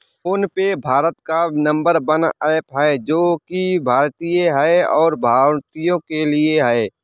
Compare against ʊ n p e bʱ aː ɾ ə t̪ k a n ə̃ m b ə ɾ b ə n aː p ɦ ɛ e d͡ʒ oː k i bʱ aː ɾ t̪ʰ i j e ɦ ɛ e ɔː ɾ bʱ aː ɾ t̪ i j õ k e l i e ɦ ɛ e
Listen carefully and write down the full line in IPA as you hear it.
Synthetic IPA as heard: ʊ n p e bʱ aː ɾ ə t̪ k a n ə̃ m b ə ɾ b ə n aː p ɦ ɛ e d͡ʒ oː k i bʱ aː ɾ t̪ i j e ɦ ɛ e ɔː ɾ bʱ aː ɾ t̪ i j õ k e l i e ɦ ɛ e